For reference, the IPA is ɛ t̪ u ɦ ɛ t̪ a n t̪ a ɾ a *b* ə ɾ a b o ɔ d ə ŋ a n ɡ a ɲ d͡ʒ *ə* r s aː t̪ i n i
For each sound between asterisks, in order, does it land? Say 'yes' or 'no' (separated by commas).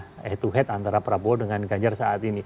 no, no